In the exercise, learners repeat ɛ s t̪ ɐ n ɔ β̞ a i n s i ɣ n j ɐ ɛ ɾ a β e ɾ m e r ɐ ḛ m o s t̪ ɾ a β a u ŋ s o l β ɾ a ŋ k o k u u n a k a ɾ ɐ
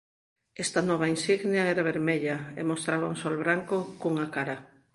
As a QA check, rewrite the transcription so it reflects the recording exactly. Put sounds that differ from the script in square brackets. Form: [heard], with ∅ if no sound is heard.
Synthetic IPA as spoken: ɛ s t̪ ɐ n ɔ β̞ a i n s i ɣ n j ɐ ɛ ɾ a β e ɾ m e [ʎ] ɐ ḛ m o s t̪ ɾ a β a u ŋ s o l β ɾ a ŋ k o k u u [ŋ] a k a ɾ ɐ